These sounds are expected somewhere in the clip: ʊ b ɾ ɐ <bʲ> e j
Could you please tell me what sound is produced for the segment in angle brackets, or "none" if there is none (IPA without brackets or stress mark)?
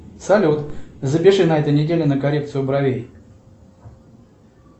vʲ